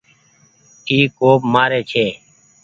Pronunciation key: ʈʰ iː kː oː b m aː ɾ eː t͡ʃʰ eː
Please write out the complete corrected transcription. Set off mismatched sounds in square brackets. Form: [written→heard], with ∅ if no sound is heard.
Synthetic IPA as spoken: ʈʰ iː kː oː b m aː ɾ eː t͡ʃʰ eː